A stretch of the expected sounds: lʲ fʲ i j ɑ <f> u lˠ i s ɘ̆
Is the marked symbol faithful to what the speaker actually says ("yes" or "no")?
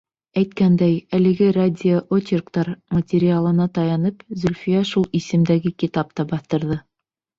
no